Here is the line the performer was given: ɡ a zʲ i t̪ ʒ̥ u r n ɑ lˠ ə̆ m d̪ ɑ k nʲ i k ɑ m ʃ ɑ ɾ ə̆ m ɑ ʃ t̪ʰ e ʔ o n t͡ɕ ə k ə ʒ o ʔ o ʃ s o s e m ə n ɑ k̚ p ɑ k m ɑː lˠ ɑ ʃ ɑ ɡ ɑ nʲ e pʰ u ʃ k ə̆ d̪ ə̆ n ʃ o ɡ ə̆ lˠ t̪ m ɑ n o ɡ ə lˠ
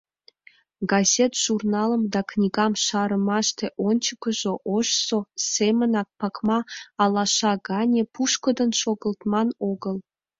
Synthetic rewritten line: ɡ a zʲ e t̪ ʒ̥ u r n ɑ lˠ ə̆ m d̪ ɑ k nʲ i ɡ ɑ m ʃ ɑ ɾ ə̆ m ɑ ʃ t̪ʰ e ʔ o n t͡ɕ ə k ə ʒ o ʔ o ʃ s o s e m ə n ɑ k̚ p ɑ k m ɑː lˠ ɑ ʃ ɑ ɡ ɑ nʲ e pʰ u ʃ k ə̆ d̪ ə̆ n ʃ o ɡ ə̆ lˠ t̪ m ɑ n o ɡ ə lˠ